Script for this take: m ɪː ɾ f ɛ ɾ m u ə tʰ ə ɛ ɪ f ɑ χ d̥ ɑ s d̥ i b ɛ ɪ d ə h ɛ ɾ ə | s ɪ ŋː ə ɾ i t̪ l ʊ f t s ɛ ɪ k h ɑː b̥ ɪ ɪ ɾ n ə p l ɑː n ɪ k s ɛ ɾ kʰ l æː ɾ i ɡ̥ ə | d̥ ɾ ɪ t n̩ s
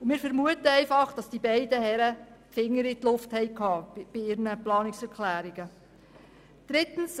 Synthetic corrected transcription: m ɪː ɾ f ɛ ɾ m u ə t ə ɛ ɪ f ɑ χ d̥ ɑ s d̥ i b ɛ ɪ d ə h ɛ ɾ ə | f ɪ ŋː ə ɾ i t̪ l ʊ f t h ɛ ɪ k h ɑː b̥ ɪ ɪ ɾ n ə p l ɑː n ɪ k s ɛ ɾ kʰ l æː ɾ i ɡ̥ ə | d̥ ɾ ɪ t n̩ s

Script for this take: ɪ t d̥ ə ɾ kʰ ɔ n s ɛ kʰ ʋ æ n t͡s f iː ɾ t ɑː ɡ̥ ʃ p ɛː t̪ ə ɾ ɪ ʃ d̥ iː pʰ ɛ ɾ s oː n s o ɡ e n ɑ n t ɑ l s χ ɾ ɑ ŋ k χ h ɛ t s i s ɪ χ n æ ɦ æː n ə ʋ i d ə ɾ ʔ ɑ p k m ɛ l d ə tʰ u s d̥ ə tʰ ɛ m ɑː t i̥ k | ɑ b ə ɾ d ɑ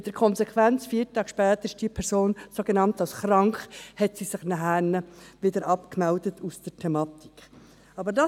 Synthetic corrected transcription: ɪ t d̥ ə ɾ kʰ ɔ n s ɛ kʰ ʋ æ n t͡s f iː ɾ t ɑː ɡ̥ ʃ p ɛː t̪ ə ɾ ɪ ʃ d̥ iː pʰ ɛ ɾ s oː n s o ɡ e n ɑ n t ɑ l s χ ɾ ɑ ŋ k χ h ɛ t s i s ɪ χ n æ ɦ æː n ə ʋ ɪ d ə ɾ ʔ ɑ p k m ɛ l d ə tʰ u s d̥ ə tʰ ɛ m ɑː t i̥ k | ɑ b ə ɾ d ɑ

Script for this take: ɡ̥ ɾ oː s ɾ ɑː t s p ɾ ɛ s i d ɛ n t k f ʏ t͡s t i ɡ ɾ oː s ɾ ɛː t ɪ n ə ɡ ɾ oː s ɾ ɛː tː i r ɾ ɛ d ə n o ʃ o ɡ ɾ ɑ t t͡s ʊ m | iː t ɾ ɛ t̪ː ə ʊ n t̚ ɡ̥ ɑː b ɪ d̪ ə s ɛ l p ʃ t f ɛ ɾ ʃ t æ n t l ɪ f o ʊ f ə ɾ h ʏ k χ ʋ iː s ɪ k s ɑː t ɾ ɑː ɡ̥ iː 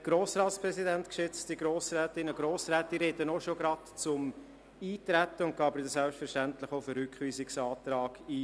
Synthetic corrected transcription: ɡ̥ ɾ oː s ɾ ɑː t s p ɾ ɛ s i d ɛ n t k ʃ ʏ t͡s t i ɡ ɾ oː s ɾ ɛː t ɪ n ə ɡ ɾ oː s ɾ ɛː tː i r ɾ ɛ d ə n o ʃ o ɡ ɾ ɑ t t͡s ʊ m | iː t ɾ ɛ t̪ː ə ʊ n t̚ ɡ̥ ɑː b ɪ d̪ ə s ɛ l p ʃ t f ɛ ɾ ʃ t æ n t l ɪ χ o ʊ f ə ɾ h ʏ k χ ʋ iː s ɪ k s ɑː t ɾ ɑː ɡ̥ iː

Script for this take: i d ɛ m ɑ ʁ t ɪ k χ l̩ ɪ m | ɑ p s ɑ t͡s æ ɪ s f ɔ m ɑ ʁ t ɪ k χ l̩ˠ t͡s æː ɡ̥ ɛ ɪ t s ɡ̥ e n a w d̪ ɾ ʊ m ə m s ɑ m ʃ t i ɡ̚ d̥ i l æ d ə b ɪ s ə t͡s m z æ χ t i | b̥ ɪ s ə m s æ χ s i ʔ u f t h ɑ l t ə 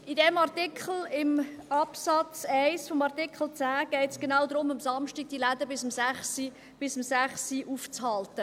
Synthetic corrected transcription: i d ɛ m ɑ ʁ t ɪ k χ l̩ ɪ m | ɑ p s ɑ t͡s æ ɪ s f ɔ m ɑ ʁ t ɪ k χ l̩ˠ t͡s æː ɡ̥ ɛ ɪ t s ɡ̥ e n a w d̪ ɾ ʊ m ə m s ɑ m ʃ t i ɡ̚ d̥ i l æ d ə b ɪ s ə m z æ χ s i | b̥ ɪ s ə m s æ χ s i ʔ u f t͡s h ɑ l t ə

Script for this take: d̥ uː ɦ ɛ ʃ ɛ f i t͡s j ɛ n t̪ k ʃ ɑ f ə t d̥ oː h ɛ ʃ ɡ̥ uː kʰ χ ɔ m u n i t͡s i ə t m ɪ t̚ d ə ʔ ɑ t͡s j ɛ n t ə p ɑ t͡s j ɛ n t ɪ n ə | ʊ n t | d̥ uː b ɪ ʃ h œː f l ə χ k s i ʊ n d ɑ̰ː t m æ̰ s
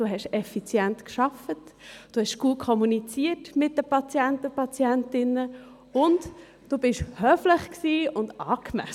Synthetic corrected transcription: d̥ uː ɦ ɛ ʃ ɛ f i t͡s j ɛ n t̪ k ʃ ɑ f ə t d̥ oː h ɛ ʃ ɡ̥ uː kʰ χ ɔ m u n i t͡s i ə t m ɪ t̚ d ə p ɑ t͡s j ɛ n t ə p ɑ t͡s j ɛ n t ɪ n ə | ʊ n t | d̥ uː b ɪ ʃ h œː f l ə χ k s iː ʊ n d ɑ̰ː k m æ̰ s

